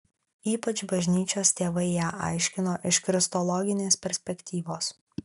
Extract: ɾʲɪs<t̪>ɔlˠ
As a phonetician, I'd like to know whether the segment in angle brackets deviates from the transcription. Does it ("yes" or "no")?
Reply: no